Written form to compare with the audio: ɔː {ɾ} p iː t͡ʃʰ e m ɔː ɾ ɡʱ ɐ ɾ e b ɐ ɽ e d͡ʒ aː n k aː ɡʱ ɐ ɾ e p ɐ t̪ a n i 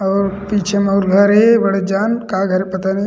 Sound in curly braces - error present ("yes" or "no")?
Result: no